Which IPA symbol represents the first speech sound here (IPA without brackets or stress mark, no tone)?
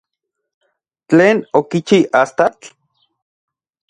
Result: t͡ɬ